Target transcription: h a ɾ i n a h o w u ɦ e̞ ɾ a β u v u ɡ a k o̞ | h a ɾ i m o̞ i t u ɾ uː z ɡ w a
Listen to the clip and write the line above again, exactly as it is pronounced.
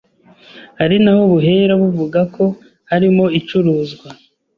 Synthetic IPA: h a ɾ i n a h o β u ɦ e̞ ɾ a β u v u ɡ a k o̞ | h a ɾ i m o̞ i t͡ʃ u ɾ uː z ɡ w a